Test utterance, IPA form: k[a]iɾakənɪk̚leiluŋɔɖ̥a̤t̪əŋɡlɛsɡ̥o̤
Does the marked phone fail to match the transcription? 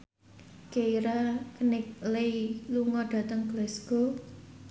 yes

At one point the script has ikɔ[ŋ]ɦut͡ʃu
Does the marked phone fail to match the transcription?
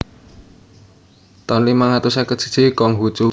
no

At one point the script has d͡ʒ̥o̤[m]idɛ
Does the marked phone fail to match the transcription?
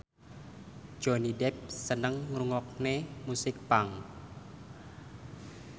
yes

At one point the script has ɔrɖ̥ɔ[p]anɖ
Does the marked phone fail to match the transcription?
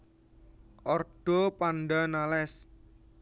no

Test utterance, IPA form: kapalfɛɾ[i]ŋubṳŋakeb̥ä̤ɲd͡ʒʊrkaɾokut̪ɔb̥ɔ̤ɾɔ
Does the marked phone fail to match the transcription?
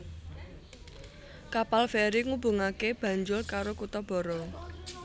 no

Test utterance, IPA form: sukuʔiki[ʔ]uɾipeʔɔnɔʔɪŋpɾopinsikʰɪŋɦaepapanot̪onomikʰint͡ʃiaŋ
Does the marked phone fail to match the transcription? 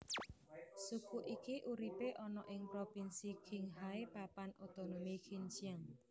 no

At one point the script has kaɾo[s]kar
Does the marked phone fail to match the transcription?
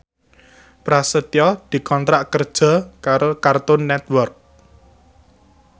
yes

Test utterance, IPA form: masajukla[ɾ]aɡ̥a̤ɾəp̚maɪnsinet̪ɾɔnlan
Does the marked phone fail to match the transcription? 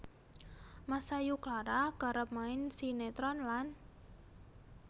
no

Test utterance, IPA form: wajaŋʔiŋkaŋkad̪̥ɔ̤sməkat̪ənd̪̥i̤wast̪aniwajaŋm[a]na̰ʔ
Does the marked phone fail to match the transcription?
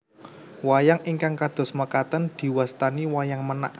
yes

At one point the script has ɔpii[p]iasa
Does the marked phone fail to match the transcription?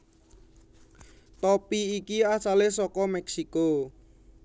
yes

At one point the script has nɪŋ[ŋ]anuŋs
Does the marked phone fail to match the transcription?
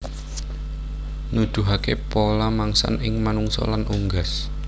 yes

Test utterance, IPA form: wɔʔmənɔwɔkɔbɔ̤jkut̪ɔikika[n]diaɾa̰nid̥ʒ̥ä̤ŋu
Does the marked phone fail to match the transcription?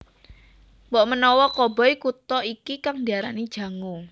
yes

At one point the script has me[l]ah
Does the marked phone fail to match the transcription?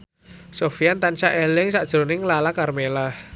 no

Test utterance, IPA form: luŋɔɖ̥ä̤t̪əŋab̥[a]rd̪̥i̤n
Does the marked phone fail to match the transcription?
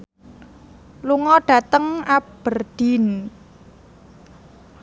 yes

